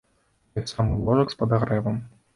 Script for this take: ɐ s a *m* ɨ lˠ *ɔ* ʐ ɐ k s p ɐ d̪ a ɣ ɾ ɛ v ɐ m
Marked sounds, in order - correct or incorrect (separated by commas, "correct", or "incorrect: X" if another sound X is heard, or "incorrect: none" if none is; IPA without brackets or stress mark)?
correct, correct